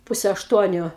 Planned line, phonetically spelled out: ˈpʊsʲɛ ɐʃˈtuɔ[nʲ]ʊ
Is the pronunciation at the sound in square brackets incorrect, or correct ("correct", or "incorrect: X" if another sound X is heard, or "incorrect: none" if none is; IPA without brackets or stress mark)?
correct